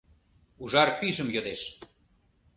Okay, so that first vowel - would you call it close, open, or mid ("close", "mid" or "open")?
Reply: close